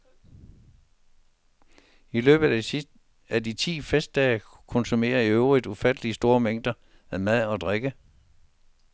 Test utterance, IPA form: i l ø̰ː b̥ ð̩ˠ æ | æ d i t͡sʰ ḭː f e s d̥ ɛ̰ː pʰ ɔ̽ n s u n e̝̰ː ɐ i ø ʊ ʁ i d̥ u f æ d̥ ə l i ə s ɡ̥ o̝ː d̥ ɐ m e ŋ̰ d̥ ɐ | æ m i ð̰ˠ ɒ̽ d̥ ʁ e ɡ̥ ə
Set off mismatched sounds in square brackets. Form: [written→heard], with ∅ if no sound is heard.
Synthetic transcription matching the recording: i l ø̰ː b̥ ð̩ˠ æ | æ d i t͡sʰ ḭː f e s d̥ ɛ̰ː [pʰ→kʰ] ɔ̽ n s u [n→m] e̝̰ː ɐ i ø ʊ ʁ i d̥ u f æ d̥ ə l i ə s [ɡ̥→d̥] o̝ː [d̥→∅] ɐ m e ŋ̰ d̥ ɐ | æ m [i→æ] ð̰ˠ ɒ̽ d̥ ʁ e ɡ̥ ə